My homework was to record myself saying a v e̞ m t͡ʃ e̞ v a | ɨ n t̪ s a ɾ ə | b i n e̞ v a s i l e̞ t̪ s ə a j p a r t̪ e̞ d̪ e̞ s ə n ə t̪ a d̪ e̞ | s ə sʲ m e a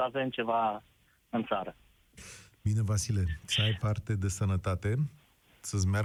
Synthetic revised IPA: a v e̞ m t͡ʃ e̞ v a | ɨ n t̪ s a ɾ ə | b i n e̞ v a s i l e̞ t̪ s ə a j p a r t̪ e̞ d̪ e̞ s ə n ə t̪ a t̪ e̞ | s ə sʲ m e a